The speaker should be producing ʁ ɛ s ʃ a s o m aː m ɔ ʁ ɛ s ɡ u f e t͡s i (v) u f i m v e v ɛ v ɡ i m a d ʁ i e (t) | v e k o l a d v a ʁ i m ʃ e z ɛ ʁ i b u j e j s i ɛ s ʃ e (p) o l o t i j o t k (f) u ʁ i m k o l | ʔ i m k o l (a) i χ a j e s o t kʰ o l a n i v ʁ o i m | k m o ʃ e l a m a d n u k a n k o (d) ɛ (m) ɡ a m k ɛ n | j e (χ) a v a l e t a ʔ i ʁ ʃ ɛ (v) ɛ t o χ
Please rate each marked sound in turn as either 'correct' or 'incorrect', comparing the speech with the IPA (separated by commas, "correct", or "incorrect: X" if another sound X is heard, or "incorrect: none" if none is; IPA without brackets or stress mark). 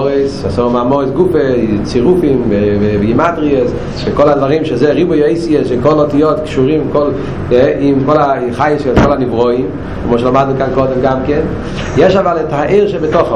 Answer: incorrect: ʁ, incorrect: s, incorrect: k, incorrect: ʃ, correct, correct, correct, incorrect: ʃ, incorrect: b